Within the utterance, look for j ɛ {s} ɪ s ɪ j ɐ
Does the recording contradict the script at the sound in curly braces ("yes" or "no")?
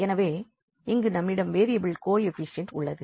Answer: yes